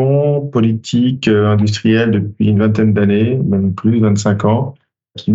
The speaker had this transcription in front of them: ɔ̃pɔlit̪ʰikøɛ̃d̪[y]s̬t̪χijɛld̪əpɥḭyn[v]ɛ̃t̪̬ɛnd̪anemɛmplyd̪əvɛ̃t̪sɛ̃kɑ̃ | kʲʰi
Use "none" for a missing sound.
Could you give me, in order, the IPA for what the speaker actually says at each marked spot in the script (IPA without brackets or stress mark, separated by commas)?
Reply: y, v